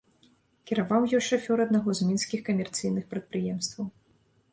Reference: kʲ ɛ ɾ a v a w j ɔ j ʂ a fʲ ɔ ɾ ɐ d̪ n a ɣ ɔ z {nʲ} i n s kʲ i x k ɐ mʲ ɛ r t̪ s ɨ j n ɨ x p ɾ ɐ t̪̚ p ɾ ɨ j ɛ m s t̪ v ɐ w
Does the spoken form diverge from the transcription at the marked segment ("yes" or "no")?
yes